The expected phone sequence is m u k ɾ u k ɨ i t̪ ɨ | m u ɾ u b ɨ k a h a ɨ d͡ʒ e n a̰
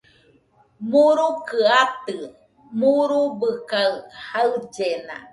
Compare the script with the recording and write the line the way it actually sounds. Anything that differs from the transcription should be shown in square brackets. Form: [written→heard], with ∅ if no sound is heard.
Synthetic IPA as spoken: m u [k→∅] ɾ u k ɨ [i→a] t̪ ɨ | m u ɾ u b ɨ k a h a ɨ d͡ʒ e n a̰